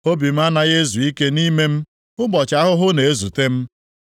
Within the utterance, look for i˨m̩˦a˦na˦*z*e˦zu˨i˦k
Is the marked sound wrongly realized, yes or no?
yes